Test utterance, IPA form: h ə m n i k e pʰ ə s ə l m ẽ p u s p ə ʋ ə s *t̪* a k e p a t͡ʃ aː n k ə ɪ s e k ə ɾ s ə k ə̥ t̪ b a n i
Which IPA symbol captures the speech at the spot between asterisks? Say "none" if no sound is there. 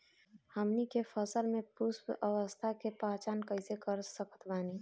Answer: t̪ʰ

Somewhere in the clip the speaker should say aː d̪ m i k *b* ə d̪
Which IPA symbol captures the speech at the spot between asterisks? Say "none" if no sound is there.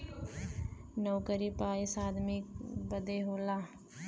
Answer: b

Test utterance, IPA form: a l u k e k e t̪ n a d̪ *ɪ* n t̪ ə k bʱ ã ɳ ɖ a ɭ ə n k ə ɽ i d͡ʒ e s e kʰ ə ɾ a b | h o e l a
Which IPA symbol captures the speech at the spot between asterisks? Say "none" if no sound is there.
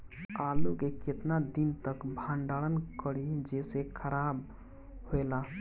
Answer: i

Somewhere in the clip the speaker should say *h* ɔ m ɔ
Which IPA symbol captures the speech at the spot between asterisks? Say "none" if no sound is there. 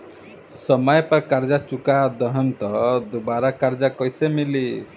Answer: s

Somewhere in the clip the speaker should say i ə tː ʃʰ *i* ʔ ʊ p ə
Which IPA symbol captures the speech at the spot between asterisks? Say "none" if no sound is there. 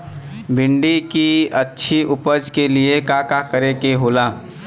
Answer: i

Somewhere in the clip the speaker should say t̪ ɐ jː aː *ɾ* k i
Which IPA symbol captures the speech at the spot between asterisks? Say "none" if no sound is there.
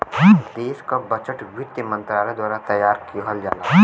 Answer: ɾ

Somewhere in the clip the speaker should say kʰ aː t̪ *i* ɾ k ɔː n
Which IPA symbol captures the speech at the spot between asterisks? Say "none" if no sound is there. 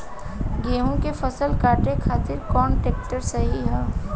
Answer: ɪ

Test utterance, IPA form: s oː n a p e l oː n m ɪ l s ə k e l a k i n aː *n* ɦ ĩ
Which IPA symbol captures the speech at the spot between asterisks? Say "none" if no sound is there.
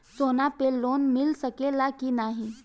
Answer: none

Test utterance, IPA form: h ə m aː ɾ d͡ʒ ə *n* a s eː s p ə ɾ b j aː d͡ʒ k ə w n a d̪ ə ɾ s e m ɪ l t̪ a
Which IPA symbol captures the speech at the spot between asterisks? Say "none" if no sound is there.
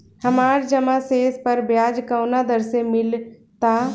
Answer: m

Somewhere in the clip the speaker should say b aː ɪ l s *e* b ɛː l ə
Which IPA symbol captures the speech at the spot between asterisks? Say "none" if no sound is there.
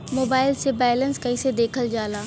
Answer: e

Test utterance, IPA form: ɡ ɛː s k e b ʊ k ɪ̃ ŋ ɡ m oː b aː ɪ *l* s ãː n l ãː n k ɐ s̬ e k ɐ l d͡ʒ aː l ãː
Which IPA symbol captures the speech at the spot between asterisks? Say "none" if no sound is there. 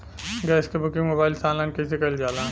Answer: l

